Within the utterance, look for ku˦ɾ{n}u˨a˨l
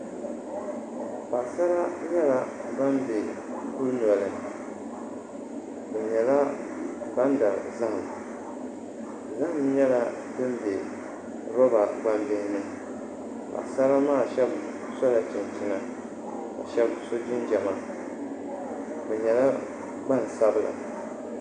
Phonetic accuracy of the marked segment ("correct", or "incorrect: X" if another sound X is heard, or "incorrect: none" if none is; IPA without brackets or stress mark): correct